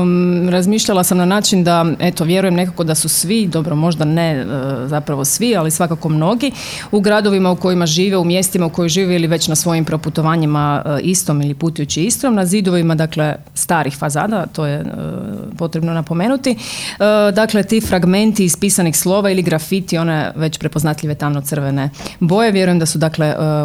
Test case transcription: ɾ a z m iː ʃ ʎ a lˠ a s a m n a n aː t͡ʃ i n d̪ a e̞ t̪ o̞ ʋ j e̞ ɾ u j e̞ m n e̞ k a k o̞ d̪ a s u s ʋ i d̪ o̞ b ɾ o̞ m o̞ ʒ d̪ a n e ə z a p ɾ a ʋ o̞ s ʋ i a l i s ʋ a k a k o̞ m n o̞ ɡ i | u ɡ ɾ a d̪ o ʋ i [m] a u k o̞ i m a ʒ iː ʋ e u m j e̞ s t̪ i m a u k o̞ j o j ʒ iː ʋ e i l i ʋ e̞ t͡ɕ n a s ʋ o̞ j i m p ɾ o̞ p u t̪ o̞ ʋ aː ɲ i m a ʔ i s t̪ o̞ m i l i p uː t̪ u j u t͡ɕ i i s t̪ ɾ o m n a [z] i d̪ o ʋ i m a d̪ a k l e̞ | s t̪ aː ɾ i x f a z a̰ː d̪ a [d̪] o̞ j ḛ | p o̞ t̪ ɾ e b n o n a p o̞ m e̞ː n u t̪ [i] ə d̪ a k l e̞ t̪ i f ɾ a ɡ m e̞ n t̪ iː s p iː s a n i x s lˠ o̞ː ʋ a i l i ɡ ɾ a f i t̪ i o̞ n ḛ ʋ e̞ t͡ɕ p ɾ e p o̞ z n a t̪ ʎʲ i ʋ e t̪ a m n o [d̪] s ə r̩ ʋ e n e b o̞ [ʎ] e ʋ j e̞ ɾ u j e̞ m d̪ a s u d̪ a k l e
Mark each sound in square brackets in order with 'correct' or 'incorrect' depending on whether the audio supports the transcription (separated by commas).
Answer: correct, correct, incorrect, correct, incorrect, incorrect